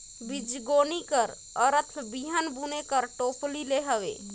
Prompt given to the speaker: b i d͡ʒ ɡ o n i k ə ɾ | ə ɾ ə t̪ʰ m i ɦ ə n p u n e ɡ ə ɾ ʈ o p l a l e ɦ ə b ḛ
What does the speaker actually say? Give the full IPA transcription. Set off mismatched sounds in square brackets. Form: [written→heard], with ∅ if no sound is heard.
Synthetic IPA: b i d͡ʒ ɡ o n i k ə ɾ | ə ɾ ə t̪ʰ [m→b] i ɦ ə n [p→b] u n e [ɡ→k] ə ɾ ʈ o p l [a→i] l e ɦ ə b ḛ